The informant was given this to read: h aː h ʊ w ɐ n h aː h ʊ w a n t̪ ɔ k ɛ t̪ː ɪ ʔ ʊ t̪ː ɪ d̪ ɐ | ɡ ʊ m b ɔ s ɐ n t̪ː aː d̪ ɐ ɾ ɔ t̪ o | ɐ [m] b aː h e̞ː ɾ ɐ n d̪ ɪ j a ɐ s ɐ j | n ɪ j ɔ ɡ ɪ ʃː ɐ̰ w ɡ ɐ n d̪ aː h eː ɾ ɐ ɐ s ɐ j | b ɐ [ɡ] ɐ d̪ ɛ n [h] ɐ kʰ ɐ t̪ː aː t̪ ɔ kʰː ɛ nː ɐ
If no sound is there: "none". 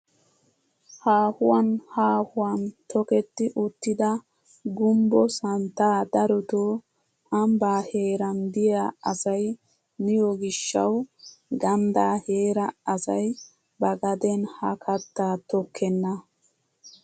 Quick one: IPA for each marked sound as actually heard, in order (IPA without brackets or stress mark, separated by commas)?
m, ɡ, h